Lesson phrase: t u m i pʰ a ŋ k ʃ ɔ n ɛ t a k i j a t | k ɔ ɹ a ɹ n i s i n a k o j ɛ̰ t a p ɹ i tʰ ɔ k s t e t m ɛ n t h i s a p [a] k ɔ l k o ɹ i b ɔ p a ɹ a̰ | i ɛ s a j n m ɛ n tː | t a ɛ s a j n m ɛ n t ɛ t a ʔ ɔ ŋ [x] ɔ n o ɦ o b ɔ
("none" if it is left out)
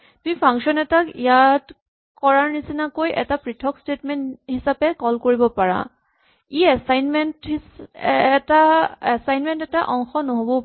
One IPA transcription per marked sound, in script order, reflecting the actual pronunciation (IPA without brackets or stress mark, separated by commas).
ɛ, x